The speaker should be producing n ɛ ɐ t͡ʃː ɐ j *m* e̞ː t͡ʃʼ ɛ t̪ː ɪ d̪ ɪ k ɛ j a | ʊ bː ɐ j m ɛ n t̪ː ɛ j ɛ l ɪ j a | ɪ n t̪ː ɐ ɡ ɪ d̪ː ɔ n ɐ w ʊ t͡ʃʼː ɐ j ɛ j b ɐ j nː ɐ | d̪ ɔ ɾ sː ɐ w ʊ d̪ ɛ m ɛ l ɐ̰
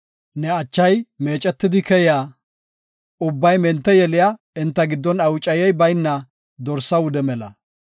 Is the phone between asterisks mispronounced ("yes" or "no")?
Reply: no